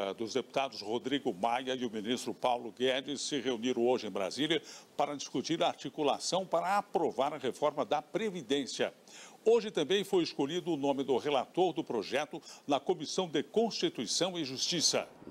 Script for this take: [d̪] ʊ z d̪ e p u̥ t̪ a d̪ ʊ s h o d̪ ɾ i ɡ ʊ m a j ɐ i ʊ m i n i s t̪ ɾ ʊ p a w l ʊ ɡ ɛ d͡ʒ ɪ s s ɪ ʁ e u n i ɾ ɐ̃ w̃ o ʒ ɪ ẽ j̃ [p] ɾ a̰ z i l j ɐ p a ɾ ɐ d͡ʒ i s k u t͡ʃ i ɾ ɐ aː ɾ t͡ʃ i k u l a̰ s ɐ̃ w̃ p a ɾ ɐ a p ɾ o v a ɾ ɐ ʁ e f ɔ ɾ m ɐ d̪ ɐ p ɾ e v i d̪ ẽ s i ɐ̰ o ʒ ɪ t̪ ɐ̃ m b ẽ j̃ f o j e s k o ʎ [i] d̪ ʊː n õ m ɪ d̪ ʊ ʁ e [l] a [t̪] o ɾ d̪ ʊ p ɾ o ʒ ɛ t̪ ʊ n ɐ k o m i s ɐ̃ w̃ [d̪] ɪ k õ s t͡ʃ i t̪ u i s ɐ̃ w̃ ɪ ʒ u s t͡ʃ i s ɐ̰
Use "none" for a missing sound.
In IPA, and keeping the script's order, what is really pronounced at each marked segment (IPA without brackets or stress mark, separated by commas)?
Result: d̪, b, i, l, t̪, d̪